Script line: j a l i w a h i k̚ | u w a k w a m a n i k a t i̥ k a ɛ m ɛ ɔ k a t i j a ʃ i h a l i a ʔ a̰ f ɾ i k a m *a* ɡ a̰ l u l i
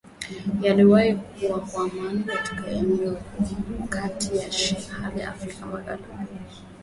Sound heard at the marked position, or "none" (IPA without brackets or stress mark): a